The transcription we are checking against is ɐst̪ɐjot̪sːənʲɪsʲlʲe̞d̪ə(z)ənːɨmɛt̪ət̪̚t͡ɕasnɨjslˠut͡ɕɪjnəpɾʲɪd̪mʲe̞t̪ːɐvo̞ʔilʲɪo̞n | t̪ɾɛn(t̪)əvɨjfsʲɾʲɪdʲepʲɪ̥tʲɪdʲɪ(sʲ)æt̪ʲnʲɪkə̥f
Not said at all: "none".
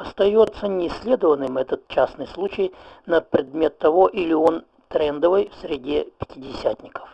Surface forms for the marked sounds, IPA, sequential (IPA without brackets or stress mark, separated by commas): v, d̪, sʲ